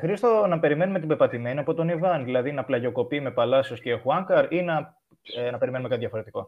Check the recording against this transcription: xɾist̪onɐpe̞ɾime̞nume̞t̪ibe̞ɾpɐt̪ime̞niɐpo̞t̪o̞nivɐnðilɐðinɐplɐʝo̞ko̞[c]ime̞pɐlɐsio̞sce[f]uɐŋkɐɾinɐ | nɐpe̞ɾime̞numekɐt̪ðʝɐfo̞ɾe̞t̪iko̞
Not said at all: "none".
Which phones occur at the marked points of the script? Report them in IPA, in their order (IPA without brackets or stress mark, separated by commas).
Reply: p, x